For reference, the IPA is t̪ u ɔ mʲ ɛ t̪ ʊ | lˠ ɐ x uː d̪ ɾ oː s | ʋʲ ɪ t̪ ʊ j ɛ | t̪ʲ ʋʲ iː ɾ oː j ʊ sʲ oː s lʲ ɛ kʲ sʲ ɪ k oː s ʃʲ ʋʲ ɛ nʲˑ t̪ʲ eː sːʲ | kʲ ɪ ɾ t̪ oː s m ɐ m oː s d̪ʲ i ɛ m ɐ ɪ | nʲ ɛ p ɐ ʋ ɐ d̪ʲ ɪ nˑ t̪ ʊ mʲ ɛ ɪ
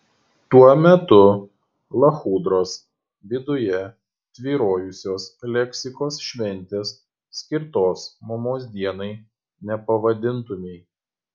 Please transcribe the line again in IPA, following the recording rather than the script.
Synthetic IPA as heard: t̪ u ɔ mʲ ɛ t̪ ʊ | lˠ ɐ x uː d̪ ɾ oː s | ʋʲ ɪ d̪ ʊ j ɛ | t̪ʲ ʋʲ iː ɾ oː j ʊ sʲ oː s lʲ ɛ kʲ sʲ ɪ k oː s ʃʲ ʋʲ ɛ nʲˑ t̪ʲ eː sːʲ | kʲ ɪ ɾ t̪ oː s m ɐ m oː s d̪ʲ i ɛ n ɐ ɪ | nʲ ɛ p ɐ ʋ ɐ d̪ʲ ɪ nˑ t̪ ʊ mʲ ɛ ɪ

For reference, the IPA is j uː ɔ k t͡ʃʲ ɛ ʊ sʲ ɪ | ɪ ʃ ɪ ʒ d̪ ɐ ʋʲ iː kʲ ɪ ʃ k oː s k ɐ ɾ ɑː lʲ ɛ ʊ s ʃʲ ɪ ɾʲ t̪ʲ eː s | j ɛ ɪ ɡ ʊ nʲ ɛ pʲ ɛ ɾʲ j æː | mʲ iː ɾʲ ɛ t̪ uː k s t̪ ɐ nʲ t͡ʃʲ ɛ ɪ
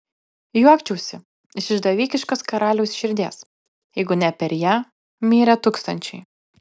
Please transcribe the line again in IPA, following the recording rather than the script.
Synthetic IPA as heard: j u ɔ k t͡ʃʲ ɛ ʊ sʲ ɪ | ɪ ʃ ɪ ʒ d̪ ɐ ʋʲ iː kʲ ɪ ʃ k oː s k ɐ ɾ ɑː lʲ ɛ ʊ s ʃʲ ɪ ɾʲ d̪ʲ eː s | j ɛ ɪ ɡ ʊ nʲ ɛ pʲ ɛ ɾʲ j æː | mʲ iː ɾʲ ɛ t̪ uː k s t̪ ɐ nʲ t͡ʃʲ ɛ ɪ

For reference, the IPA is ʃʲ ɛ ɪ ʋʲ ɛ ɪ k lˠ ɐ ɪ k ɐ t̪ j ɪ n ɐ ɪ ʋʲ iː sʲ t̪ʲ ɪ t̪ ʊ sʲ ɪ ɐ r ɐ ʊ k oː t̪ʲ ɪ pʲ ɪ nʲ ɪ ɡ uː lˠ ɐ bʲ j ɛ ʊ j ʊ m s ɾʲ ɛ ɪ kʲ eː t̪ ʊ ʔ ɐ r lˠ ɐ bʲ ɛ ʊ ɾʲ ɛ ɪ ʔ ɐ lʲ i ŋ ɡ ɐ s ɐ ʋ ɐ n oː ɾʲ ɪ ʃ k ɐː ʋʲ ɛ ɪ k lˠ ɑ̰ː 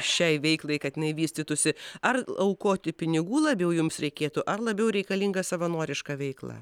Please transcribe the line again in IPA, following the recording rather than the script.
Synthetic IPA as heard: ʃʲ ɛ ɪ ʋʲ ɛ ɪ k lˠ ɐ ɪ k ɐ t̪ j ɪ n ɐ ɪ ʋʲ iː sʲ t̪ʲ ɪ t̪ ʊ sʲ ɪ ɐ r ɐ ʊ k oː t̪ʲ ɪ pʲ ɪ nʲ ɪ ɡ uː lˠ ɐ bʲ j ɛ ʊ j ʊ m s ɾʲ ɛ ɪ kʲ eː t̪ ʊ ʔ ɐ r lˠ ɐ bʲ ɛ ʊ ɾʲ ɛ ɪ k ɐ lʲ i ŋ ɡ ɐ s ɐ ʋ ɐ n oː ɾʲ ɪ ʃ k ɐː ʋʲ ɛ ɪ k lˠ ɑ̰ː

